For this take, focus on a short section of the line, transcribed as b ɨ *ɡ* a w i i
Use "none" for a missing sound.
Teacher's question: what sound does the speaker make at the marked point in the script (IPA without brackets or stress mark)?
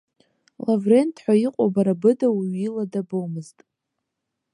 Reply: d